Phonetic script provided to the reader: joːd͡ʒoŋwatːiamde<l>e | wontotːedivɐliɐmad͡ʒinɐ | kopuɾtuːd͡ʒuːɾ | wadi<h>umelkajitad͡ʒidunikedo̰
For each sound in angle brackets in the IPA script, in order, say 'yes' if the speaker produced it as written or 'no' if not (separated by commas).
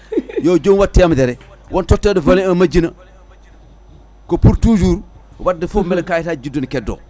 no, no